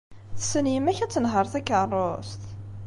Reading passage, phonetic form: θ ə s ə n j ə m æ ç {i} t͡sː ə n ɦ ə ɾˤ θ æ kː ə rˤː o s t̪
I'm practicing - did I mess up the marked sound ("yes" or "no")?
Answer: yes